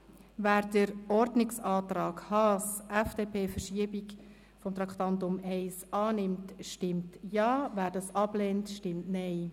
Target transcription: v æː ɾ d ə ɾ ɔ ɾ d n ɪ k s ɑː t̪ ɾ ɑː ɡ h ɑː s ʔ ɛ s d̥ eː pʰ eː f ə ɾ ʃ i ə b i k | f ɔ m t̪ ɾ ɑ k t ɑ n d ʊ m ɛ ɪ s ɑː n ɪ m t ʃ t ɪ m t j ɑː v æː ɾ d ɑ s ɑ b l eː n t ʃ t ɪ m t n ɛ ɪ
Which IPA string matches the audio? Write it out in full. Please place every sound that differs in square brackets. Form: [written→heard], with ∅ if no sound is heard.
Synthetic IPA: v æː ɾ d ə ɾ ɔ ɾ d n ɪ k s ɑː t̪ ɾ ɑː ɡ h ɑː s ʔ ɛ [s→f] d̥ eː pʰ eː f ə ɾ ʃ i ə b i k | f ɔ m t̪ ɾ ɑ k t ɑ n [d→t] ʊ m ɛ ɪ s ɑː n ɪ m t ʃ t ɪ m t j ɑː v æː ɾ d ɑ s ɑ b l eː n t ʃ t ɪ m t n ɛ ɪ